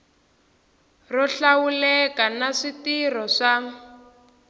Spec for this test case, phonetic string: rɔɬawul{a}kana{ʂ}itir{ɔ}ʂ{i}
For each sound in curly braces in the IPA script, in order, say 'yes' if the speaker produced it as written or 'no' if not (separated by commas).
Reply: no, yes, yes, no